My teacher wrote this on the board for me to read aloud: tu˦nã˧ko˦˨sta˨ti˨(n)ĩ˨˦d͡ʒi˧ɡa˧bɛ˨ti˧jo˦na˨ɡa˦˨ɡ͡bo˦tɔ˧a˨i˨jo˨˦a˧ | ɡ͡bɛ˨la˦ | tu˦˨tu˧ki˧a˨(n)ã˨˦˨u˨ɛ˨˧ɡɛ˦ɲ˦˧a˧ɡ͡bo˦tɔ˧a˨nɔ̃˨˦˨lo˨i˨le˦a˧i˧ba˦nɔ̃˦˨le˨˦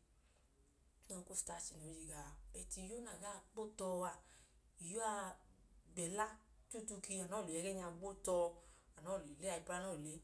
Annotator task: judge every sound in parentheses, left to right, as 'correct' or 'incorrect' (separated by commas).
correct, correct